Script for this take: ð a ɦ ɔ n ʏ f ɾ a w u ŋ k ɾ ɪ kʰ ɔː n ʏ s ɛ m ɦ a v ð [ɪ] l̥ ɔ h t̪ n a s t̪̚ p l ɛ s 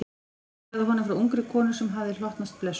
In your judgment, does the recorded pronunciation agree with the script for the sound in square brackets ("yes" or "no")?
yes